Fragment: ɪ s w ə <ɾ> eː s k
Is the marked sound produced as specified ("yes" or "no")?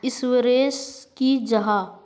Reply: yes